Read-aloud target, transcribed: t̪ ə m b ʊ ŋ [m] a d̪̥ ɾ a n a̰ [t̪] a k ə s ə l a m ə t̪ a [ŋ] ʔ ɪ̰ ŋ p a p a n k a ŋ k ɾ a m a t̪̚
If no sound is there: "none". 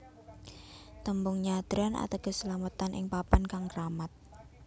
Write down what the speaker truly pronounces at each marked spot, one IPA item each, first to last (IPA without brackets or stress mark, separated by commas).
ɲ, t̪, n